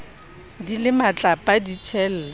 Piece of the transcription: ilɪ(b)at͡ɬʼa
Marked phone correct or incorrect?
incorrect